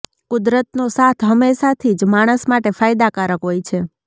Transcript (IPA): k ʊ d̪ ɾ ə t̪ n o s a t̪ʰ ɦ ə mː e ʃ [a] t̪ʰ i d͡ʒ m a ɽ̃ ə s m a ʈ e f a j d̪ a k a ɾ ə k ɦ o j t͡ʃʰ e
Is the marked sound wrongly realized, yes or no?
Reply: no